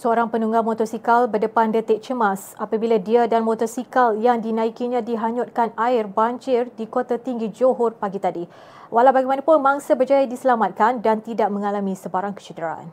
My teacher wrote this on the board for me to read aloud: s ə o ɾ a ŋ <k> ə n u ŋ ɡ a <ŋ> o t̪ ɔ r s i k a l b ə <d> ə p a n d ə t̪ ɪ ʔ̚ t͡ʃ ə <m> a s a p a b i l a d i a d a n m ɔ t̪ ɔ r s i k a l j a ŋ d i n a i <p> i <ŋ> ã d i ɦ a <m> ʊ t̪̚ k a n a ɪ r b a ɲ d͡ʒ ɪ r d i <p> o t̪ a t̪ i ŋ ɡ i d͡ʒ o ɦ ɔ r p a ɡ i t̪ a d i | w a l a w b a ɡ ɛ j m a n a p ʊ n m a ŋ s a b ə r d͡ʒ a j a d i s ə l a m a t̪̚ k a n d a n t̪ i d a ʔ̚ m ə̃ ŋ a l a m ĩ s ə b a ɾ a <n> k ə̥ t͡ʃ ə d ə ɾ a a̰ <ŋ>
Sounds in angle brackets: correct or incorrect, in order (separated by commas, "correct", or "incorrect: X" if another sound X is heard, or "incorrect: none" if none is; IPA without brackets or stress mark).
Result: incorrect: p, incorrect: m, correct, correct, incorrect: k, incorrect: ɲ, incorrect: ɲ, incorrect: k, incorrect: ŋ, incorrect: n